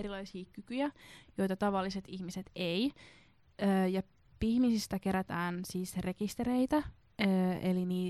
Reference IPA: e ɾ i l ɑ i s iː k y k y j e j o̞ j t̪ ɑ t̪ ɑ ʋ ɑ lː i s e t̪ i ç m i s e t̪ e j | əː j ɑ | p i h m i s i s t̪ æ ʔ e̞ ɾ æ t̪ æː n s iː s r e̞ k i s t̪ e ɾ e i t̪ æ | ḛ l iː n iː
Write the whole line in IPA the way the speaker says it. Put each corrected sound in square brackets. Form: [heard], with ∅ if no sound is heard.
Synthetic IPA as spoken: e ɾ i l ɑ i s iː k y k y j [æ] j o̞ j t̪ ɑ t̪ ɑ ʋ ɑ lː i s e t̪ i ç m i s e t̪ e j | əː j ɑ | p i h m i s i s t̪ æ [k] e̞ ɾ æ t̪ æː n s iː s r e̞ k i s t̪ e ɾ e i t̪ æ | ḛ l [i] n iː